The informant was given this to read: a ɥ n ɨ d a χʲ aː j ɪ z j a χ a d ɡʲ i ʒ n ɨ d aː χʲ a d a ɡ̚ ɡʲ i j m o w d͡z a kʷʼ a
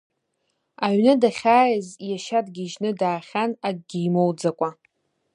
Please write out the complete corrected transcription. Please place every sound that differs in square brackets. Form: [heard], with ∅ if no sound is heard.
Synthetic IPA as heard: a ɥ n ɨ d a χʲ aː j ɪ z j a [ʃ] a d ɡʲ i ʒ n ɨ d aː χʲ a [n] a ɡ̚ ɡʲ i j m o w d͡z a kʷʼ a